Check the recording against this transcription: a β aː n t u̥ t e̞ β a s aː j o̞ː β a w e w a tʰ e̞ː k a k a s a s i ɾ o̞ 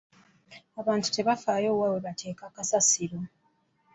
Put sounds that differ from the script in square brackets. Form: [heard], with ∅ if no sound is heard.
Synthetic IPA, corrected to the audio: a β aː n t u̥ t e̞ β a [f] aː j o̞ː [w] a w e [β] a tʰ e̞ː k a k a s a s i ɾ o̞